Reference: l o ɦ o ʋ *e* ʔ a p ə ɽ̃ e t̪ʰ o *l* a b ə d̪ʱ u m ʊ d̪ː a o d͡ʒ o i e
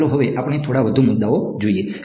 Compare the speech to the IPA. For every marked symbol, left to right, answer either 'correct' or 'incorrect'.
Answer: correct, incorrect

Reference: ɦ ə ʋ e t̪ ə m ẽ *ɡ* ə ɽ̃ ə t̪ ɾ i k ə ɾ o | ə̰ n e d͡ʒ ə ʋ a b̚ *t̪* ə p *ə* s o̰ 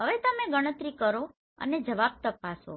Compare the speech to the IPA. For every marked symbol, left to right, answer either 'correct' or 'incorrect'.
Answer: correct, correct, incorrect

